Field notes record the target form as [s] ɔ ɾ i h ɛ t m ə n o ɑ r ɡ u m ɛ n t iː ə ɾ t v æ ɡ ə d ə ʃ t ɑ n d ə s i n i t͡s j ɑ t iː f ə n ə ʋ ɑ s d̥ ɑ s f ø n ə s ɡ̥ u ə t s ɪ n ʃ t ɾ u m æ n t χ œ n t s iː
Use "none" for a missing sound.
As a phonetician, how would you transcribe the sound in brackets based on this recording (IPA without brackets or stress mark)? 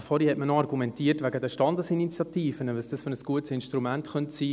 f